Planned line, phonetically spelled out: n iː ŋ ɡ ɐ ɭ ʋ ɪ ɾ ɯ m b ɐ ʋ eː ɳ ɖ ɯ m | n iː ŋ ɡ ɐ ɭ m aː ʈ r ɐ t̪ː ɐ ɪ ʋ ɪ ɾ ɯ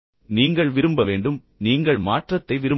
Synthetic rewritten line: n iː ŋ ɡ ɐ ɭ ʋ ɪ ɾ ɯ m b ɐ ʋ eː ɳ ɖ ɯ m | n iː ŋ ɡ ɐ ɭ m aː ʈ r ɐ t̪ː ɐ ɪ ʋ ɪ ɾ ɯ